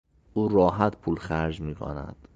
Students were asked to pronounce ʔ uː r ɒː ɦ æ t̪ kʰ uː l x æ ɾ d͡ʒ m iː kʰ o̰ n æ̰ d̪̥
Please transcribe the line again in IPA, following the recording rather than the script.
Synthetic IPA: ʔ uː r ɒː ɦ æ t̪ pʰ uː l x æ ɾ d͡ʒ m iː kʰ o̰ n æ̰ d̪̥